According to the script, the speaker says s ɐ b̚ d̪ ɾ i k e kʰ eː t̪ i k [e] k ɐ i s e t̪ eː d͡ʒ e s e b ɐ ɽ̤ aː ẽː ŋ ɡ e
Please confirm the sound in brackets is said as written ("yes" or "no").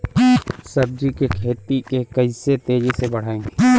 yes